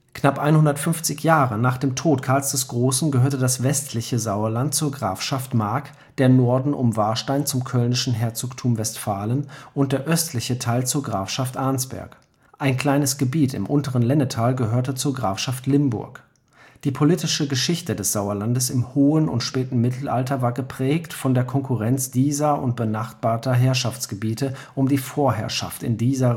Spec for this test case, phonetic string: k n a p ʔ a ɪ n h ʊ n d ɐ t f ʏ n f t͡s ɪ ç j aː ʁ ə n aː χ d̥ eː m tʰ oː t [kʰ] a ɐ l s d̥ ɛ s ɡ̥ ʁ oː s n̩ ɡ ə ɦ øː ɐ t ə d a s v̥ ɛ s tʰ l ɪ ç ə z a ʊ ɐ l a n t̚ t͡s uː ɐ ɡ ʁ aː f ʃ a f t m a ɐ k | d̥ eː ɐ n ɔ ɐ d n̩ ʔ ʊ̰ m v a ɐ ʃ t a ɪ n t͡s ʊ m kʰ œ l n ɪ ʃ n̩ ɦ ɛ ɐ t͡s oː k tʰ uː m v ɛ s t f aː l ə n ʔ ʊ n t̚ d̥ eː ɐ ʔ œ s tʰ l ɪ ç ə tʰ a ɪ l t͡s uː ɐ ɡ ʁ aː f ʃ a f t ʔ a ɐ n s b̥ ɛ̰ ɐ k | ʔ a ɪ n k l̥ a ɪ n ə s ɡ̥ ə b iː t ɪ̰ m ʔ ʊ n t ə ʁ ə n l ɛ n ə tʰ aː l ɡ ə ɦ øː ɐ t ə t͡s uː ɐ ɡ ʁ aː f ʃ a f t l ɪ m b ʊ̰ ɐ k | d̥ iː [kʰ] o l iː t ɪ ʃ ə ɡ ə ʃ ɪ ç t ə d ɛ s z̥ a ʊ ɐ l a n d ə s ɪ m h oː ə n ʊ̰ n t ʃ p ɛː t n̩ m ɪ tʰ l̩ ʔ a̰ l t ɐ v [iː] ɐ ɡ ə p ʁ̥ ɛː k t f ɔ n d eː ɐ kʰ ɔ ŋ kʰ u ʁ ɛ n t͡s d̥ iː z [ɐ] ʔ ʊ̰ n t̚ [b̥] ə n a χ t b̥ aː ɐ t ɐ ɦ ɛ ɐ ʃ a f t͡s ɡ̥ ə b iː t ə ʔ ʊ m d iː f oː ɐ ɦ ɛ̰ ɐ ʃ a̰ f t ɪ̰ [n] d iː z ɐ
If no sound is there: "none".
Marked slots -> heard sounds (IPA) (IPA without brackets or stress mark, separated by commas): kʰ, pʰ, aː, ɐ, b̥, n